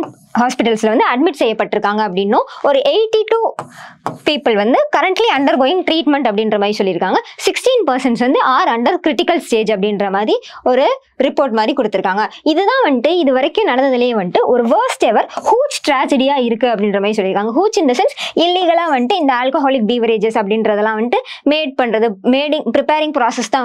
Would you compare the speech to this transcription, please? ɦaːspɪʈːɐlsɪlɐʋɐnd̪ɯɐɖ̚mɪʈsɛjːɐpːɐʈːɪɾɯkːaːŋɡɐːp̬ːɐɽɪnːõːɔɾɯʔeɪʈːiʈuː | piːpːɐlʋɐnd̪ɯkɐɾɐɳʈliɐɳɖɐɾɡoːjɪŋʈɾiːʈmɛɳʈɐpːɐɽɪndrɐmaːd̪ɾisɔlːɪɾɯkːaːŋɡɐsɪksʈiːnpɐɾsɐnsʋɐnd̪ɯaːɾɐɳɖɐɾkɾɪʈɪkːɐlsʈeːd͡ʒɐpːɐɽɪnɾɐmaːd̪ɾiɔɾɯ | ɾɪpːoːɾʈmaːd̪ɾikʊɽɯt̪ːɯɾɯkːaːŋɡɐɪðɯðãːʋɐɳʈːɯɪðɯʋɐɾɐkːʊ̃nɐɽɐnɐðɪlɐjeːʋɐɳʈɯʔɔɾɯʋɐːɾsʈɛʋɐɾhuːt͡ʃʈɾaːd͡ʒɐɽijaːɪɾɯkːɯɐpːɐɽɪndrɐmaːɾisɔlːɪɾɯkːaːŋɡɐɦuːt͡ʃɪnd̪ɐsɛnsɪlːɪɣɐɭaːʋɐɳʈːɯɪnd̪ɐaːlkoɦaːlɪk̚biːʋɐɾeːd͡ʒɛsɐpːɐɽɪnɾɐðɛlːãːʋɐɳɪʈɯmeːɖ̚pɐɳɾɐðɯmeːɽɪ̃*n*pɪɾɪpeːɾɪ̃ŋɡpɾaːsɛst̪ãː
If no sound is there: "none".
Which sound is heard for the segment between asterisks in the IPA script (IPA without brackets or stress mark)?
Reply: ŋ